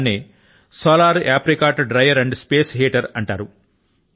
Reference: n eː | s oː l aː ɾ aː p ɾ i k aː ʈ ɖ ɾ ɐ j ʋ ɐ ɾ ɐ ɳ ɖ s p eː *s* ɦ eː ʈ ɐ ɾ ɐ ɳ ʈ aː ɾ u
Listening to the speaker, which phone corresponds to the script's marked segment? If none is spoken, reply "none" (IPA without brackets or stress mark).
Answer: s